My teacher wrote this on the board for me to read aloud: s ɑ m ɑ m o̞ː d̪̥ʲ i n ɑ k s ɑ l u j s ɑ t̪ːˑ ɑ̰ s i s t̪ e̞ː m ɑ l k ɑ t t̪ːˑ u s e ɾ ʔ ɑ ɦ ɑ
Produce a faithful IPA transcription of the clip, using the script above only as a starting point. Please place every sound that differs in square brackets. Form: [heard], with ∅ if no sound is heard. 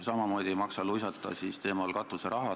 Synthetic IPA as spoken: s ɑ m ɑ m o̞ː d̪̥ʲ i [m] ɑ k s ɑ l u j s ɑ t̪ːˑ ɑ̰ s i s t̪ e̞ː m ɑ l k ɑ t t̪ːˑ u s e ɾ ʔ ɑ ɦ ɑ